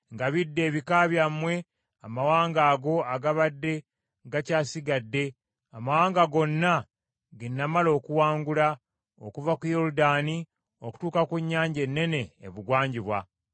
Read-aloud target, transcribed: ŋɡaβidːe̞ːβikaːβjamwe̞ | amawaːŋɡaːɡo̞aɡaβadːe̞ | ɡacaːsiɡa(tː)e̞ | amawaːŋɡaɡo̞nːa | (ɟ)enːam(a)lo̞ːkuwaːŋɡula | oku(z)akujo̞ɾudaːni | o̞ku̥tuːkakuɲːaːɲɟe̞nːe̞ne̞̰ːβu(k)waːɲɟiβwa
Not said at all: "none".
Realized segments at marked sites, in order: dː, ɡ, a, v, ɡ

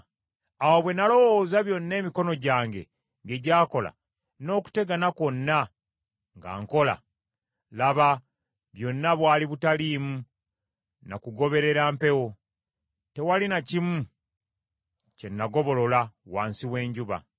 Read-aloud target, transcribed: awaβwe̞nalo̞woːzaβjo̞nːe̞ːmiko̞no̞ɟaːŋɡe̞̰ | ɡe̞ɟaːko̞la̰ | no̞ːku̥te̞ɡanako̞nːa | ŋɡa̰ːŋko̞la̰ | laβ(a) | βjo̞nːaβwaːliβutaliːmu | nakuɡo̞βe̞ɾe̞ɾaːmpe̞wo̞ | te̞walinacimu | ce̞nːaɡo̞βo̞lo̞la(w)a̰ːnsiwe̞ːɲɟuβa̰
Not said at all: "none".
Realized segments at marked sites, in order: a, w

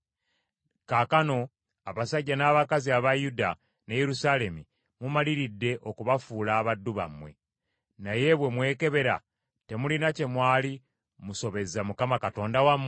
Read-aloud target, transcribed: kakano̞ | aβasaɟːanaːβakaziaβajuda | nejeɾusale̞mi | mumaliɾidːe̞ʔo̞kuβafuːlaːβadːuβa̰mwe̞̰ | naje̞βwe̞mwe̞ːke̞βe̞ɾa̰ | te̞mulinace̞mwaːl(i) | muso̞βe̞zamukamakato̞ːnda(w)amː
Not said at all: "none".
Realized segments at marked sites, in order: i, w

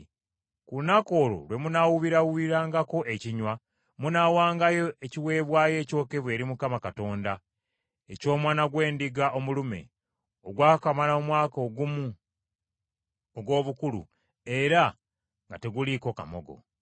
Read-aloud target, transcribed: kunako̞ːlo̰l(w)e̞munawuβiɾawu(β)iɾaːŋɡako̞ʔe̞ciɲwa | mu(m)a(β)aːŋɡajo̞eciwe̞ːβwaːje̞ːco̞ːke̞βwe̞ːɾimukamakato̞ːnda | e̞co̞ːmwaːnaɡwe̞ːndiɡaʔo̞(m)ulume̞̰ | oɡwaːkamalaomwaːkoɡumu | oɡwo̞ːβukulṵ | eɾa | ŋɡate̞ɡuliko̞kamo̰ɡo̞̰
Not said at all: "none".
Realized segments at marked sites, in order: w, β, n, w, m

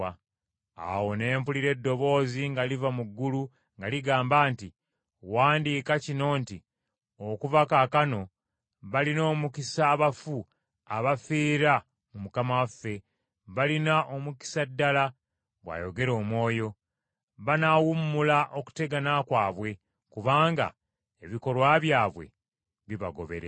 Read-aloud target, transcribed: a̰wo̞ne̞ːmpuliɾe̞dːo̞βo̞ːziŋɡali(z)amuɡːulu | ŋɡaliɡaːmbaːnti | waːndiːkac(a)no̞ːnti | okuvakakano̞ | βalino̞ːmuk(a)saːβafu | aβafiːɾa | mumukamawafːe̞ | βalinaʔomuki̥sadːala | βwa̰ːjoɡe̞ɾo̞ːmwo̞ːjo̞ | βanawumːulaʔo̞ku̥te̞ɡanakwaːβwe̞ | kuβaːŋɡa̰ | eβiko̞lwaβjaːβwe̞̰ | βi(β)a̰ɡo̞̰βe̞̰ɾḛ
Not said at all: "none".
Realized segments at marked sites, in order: v, i, i, β

